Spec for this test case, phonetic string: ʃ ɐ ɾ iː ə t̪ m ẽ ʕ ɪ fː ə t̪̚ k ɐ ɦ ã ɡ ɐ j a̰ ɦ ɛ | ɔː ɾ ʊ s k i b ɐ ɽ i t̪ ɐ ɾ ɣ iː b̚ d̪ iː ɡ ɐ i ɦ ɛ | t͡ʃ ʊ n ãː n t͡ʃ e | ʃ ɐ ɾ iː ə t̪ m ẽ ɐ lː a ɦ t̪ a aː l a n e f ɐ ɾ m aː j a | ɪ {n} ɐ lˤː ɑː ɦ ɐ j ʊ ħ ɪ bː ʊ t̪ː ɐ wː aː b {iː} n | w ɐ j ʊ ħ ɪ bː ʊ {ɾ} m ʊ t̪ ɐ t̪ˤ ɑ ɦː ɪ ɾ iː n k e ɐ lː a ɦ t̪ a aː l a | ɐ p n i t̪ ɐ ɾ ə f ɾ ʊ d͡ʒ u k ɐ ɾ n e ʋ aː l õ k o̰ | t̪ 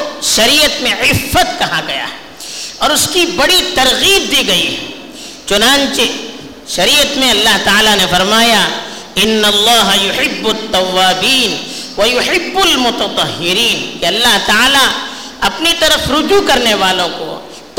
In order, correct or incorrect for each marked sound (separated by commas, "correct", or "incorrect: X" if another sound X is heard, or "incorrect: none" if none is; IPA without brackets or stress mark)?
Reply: incorrect: nː, correct, incorrect: l